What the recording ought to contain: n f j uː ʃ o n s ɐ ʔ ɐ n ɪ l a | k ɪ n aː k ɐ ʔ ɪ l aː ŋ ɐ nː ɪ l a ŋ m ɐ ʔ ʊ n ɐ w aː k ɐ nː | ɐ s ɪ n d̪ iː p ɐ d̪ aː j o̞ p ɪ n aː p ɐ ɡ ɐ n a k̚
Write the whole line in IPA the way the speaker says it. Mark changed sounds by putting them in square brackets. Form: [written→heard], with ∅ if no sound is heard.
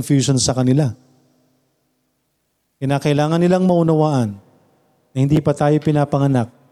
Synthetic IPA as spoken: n f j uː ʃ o n s ɐ [ʔ→k] ɐ n ɪ l a | k ɪ n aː k ɐ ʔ ɪ l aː ŋ ɐ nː ɪ l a ŋ m ɐ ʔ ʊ n ɐ w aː [k→ʔ] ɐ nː | ɐ [s→h] ɪ n d̪ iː p ɐ [d̪→t̪] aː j o̞ p ɪ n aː p ɐ [ɡ→ŋ] ɐ n a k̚